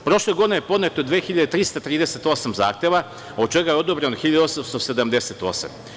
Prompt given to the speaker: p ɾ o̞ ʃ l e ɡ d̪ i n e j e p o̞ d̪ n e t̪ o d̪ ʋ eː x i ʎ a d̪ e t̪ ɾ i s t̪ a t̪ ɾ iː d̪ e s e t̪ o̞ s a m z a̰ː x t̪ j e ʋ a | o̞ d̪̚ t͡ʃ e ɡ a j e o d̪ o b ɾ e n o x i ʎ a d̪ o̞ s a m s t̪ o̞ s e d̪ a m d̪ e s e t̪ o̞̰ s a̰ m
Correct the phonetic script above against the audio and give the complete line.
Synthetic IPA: p ɾ o̞ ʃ l e ɡ d̪ i n e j e p o̞ d̪ n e t̪ o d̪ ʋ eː x i ʎ a d̪ e t̪ ɾ i s t̪ a t̪ ɾ iː d̪ e s e t̪ o̞ s a m z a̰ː x t̪ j e ʋ a | o̞ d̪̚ t͡ʃ e ɡ a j e o d̪ o b ɾ e n o x i ʎ a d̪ o̞ s a m s t̪ o̞ s e d̪ a m d̪ e s e t̪ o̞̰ s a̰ m

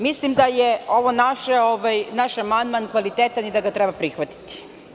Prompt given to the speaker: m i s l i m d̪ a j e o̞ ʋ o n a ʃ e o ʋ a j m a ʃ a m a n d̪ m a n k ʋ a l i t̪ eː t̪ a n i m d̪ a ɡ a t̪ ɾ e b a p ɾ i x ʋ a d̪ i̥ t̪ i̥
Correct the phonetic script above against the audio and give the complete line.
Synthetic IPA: m i s l i m d̪ a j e o̞ ʋ o n a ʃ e o ʋ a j n a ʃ a m a n d̪ m a n k ʋ a l i t̪ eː t̪ a n i d̪ a ɡ a t̪ ɾ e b a p ɾ i x ʋ a t̪ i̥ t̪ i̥

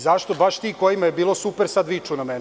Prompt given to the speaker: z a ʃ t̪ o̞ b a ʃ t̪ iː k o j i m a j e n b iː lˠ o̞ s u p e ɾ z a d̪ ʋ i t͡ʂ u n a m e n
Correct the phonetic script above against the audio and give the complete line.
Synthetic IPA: z a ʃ t̪ o̞ b a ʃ t̪ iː k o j i m a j e b iː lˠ o̞ s u p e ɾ s a d̪ ʋ i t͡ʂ u n a m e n

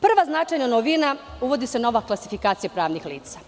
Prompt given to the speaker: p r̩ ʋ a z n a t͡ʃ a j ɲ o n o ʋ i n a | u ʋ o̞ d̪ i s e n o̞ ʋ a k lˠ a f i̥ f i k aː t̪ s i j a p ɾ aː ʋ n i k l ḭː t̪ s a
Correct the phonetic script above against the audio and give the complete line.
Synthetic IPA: p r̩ ʋ a z n a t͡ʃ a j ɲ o n o ʋ i n a | u ʋ o̞ d̪ i s e n o̞ ʋ a k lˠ a s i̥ f i k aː t̪ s i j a p ɾ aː ʋ n i x l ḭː t̪ s a

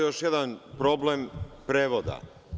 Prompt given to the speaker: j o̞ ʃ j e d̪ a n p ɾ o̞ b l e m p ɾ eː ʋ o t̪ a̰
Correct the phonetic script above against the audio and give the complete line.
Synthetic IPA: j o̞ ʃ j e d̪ a n p ɾ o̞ b l e m p ɾ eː ʋ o d̪ a̰

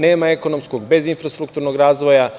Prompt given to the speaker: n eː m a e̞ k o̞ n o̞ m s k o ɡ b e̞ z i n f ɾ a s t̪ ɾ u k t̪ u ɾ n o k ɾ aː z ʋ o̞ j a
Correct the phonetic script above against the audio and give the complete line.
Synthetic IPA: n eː m a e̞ k o̞ n o̞ m s k o ɡ b e̞ z i n f ɾ a s t̪ ɾ u k t̪ u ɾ n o ɡ ɾ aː z ʋ o̞ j a

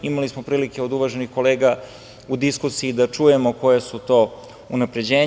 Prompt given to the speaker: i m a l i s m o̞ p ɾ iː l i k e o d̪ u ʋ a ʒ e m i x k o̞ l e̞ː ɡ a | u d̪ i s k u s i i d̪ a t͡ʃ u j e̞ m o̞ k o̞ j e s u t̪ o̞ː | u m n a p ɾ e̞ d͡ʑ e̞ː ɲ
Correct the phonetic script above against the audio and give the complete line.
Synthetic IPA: i m a l i s m o̞ p ɾ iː l i k e o d̪ u ʋ a ʒ e n i x k o̞ l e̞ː ɡ a | u d̪ i s k u s i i d̪ a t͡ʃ u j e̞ m o̞ k o̞ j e s u t̪ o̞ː | u n a p ɾ e̞ d͡ʑ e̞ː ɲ

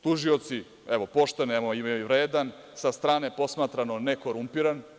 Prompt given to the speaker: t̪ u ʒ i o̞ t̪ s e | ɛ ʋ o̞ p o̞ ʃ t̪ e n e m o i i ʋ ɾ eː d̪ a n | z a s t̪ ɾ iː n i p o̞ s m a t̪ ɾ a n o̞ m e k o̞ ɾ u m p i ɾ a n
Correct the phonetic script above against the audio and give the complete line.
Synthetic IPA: t̪ u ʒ i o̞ t̪ s i | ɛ ʋ o̞ p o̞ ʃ t̪ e n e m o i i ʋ ɾ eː d̪ a n | s a s t̪ ɾ aː n e p o̞ s m a t̪ ɾ a n o̞ n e k o̞ ɾ u m p i ɾ a n

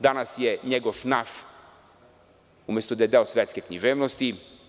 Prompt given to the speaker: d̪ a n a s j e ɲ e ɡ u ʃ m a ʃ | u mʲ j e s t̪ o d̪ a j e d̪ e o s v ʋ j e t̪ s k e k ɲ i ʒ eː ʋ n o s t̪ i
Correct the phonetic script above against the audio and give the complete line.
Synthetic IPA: d̪ a n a s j e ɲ e ɡ o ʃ n a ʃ | u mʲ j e s t̪ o d̪ a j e d̪ e o s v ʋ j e t̪ s k e k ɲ i ʒ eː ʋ n o s t̪ i

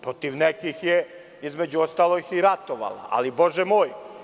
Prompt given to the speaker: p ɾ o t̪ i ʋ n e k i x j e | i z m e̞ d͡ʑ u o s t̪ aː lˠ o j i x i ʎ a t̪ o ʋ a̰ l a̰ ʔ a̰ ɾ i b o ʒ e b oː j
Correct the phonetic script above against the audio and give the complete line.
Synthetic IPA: p ɾ o t̪ i ʋ n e k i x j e | i z m e̞ d͡ʑ u o s t̪ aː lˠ o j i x i ɾ a t̪ o ʋ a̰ l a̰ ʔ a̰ l i b o ʒ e m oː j

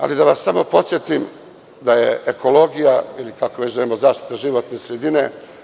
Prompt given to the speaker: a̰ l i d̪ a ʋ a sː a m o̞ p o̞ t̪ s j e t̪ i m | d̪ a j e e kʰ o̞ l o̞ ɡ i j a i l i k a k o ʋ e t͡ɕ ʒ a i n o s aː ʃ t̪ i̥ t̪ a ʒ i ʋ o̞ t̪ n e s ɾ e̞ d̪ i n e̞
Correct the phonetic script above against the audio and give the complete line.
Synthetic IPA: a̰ l i d̪ a ʋ a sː a m o̞ p o̞ t̪ s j e t̪ i m | d̪ a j e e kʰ o̞ l o̞ ɡ i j a i l i k a k o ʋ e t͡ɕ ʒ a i m o z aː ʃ t̪ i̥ t̪ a ʒ i ʋ o̞ t̪ n e s ɾ e̞ d̪ i n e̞

